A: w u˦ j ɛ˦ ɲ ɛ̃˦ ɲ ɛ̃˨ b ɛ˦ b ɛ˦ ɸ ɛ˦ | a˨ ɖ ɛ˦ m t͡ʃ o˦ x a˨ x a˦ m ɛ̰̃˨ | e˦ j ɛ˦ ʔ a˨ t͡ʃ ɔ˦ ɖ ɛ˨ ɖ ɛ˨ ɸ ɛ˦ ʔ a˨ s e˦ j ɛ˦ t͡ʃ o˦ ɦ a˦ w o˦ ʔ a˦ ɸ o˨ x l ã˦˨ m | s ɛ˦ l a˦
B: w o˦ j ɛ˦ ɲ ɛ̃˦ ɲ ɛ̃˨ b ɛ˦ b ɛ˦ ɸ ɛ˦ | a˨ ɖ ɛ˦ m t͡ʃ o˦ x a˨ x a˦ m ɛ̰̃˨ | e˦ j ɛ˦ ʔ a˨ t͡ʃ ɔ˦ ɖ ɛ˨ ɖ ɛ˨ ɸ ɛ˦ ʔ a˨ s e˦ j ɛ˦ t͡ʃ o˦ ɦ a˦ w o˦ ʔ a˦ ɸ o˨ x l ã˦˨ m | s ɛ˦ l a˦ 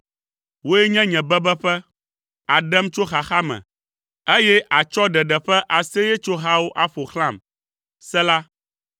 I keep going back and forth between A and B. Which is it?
B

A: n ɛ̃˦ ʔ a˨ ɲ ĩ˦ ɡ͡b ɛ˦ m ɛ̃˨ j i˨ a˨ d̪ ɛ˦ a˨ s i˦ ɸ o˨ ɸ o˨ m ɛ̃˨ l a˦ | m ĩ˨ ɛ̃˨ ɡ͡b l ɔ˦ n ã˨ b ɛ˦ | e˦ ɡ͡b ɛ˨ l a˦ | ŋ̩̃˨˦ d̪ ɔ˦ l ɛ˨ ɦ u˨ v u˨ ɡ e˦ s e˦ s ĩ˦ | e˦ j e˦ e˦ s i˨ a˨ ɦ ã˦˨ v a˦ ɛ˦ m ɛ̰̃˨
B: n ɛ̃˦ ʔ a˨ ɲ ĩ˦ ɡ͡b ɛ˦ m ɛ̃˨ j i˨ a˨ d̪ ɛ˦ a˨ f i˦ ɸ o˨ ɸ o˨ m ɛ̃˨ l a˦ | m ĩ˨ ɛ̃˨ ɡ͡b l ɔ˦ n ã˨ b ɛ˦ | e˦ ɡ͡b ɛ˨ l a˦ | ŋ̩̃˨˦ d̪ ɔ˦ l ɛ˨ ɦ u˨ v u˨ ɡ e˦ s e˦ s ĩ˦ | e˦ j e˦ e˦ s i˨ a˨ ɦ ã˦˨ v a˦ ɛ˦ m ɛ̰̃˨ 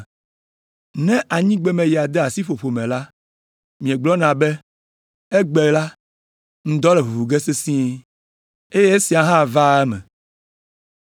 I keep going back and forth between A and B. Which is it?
A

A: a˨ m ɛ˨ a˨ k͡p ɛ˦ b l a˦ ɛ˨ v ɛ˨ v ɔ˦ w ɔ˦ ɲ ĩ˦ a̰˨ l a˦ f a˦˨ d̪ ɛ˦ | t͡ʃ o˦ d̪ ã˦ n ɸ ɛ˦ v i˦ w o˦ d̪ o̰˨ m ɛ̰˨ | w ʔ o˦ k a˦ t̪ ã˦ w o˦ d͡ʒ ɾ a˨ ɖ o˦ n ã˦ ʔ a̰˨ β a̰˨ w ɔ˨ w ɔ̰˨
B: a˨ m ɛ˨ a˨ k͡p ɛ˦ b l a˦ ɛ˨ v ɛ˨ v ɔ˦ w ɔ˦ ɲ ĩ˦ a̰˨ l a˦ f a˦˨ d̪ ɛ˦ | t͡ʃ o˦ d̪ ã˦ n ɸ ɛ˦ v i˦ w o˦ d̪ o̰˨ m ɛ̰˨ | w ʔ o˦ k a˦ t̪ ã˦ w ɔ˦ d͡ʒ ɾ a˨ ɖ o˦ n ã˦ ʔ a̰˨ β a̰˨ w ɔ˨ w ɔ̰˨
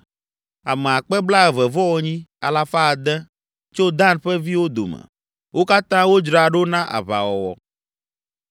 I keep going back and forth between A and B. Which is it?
A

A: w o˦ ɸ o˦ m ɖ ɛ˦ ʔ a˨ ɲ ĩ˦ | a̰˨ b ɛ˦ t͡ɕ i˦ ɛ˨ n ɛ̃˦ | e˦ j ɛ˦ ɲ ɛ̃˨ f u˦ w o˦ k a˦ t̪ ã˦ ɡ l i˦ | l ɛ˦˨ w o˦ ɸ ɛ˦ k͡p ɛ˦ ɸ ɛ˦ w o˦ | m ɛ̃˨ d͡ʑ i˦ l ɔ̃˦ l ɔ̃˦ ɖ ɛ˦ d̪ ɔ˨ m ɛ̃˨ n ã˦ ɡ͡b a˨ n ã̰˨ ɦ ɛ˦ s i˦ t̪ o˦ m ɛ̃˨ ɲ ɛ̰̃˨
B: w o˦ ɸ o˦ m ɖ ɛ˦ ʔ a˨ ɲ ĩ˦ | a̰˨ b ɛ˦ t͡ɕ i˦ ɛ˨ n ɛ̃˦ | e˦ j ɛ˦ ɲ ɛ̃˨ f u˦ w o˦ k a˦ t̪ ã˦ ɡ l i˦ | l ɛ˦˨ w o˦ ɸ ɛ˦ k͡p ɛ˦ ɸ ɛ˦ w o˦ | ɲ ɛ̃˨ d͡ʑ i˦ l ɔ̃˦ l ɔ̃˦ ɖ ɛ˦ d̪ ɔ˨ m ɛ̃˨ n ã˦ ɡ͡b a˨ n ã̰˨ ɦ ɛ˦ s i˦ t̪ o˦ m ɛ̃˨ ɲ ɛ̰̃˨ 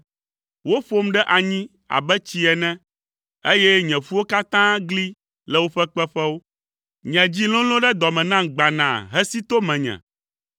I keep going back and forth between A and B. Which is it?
B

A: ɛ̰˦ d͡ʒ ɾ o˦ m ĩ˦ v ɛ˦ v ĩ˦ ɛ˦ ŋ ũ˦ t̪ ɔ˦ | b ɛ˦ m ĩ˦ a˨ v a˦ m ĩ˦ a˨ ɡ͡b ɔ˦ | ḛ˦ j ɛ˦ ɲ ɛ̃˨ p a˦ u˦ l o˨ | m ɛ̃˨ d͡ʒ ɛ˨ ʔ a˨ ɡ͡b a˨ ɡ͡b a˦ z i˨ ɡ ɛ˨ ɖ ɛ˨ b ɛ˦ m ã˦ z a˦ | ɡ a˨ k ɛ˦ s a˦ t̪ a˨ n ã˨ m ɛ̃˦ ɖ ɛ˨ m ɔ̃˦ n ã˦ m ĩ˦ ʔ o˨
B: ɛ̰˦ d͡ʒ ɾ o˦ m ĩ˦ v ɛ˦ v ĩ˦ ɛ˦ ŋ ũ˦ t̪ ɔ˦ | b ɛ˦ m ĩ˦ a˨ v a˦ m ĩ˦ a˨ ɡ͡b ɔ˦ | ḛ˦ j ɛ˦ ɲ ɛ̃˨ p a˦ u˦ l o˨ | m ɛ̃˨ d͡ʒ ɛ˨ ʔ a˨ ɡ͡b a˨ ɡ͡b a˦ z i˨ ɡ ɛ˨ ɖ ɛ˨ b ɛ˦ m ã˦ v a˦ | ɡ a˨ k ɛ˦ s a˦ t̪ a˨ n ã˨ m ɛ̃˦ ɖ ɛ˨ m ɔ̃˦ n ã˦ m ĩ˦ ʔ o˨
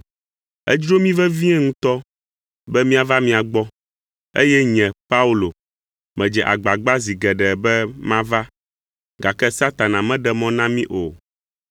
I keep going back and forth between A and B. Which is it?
B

